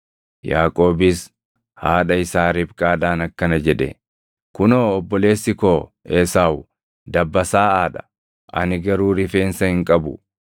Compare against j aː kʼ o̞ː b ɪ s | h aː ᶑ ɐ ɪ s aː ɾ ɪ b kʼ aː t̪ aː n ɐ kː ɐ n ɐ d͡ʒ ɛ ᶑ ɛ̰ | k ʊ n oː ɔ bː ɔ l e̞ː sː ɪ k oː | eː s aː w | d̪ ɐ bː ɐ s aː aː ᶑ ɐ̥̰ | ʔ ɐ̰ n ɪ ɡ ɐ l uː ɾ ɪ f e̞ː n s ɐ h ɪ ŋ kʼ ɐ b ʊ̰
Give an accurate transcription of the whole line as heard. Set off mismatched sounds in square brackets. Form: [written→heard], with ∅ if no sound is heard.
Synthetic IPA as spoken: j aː kʼ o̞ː b ɪ s | h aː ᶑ ɐ ɪ s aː ɾ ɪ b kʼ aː [t̪→d̪] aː n ɐ kː ɐ n ɐ d͡ʒ ɛ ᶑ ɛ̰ | k ʊ n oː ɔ bː ɔ l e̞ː sː ɪ k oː | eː s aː w | d̪ ɐ bː ɐ s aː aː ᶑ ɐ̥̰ | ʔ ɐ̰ n ɪ ɡ ɐ [l→ɾ] uː ɾ ɪ f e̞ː n s ɐ h ɪ ŋ kʼ ɐ b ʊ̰

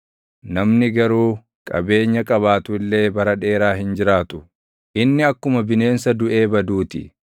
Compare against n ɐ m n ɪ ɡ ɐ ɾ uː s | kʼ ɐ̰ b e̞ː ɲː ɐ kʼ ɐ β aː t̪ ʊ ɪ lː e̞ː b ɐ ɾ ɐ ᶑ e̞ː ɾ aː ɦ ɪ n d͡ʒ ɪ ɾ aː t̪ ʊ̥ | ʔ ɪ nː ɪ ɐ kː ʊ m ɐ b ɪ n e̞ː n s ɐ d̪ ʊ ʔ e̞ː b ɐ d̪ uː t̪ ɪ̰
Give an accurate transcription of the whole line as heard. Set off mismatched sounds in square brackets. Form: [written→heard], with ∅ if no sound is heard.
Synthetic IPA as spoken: n ɐ m n ɪ ɡ ɐ ɾ uː [s→∅] | kʼ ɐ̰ b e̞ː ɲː ɐ kʼ ɐ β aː t̪ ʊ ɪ lː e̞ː b ɐ ɾ ɐ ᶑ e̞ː ɾ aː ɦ ɪ n d͡ʒ ɪ ɾ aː t̪ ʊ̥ | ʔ ɪ nː ɪ ɐ kː ʊ m ɐ b ɪ n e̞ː n s ɐ d̪ ʊ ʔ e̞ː b ɐ d̪ uː t̪ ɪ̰

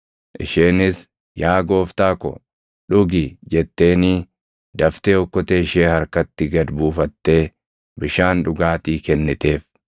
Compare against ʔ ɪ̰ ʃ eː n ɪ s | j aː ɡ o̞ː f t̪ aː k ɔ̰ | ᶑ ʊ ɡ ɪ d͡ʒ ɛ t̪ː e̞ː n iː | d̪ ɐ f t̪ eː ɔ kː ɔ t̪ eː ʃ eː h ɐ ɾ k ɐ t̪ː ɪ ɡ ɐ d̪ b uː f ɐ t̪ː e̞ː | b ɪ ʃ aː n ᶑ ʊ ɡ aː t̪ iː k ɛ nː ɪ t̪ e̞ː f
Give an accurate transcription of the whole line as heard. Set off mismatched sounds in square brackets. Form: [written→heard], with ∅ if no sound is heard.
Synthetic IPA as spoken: ʔ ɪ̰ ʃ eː n ɪ s | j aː ɡ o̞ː f t̪ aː k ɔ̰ | ᶑ ʊ ɡ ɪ d͡ʒ ɛ t̪ː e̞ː n iː | d̪ ɐ f t̪ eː ɔ kː ɔ t̪ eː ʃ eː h ɐ ɾ k ɐ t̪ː ɪ ɡ ɐ d̪ b uː f ɐ t̪ː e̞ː | b ɪ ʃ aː n ᶑ ʊ ɡ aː t̪ iː k ɛ nː ɪ t̪ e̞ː f

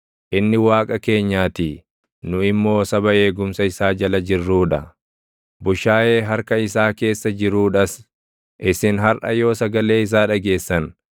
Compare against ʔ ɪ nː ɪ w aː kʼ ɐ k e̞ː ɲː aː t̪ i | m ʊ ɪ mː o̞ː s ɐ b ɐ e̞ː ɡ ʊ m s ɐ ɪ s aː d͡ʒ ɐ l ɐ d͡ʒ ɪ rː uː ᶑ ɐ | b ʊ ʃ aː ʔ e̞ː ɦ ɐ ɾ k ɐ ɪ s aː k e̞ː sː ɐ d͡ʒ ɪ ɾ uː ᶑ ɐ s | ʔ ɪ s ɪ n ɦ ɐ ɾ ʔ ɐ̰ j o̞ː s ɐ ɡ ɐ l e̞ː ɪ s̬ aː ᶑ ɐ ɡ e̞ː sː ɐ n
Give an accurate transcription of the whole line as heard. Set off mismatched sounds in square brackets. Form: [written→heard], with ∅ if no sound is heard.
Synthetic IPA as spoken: ʔ ɪ nː ɪ w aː kʼ ɐ k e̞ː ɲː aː t̪ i | [m→n] ʊ ɪ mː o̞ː s ɐ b ɐ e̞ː ɡ ʊ m s ɐ ɪ s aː d͡ʒ ɐ l ɐ d͡ʒ ɪ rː uː ᶑ ɐ | b ʊ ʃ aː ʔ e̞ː ɦ ɐ ɾ k ɐ ɪ s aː k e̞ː sː ɐ d͡ʒ ɪ ɾ uː ᶑ ɐ s | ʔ ɪ s ɪ n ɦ ɐ ɾ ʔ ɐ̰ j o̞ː s ɐ ɡ ɐ l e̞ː ɪ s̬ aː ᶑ ɐ ɡ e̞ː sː ɐ n

